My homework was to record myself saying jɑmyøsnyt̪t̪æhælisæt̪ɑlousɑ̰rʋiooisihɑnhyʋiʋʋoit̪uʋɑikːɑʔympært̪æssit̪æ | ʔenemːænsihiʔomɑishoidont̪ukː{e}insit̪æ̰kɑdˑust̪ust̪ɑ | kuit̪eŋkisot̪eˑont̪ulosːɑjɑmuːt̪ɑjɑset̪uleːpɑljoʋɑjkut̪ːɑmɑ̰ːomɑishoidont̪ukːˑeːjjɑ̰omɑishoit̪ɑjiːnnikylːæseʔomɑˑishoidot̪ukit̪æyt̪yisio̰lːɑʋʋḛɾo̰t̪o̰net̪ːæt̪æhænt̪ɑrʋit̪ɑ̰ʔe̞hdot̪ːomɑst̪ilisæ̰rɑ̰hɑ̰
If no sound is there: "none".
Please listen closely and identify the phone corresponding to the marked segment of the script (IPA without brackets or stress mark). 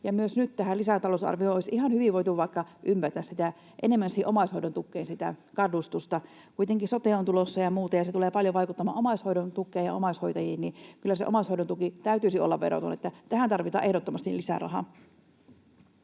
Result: e